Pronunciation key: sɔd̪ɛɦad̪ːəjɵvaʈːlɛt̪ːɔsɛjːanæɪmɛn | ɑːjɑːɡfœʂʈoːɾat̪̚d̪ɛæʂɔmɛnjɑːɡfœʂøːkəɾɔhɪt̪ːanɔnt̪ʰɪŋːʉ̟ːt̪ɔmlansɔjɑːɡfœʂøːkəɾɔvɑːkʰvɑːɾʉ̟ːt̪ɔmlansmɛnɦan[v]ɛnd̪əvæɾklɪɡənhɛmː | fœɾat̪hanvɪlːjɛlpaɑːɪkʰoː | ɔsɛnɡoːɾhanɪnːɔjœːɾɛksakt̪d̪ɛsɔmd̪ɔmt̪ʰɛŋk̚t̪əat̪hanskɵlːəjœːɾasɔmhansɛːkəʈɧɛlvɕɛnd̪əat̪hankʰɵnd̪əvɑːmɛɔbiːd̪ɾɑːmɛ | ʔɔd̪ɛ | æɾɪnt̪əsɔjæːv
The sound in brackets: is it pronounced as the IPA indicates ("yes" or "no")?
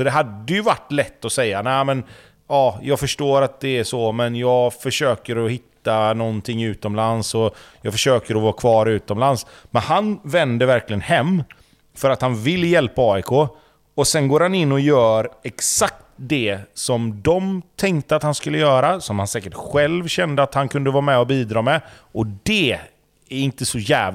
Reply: yes